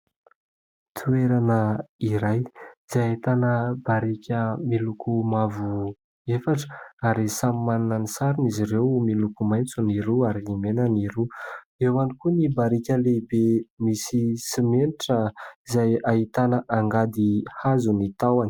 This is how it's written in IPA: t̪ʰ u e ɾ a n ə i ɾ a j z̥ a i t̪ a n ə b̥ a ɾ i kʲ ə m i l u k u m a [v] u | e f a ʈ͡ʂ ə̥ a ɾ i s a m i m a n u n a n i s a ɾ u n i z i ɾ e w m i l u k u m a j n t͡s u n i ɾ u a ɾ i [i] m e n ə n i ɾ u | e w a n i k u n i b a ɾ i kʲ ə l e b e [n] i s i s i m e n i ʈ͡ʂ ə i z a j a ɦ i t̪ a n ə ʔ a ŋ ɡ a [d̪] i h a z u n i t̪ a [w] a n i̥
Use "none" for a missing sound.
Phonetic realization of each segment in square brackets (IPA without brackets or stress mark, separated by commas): v, i, m, d̪, w